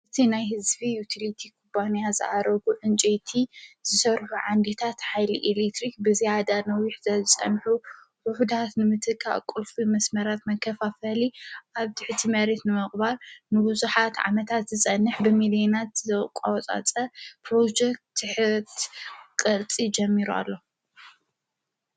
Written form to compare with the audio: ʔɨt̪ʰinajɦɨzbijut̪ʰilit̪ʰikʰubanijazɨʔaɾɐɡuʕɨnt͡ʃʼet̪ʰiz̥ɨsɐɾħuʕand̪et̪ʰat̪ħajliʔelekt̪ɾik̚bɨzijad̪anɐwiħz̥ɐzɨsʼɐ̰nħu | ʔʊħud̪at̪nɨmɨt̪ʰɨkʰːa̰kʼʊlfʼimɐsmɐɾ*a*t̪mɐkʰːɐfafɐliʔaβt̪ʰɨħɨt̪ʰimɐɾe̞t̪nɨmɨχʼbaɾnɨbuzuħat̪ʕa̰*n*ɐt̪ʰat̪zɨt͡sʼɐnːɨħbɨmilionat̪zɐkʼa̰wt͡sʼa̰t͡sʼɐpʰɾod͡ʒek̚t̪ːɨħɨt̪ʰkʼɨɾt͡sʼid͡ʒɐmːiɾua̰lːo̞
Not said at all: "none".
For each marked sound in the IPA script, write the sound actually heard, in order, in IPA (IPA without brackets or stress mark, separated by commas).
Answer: a, m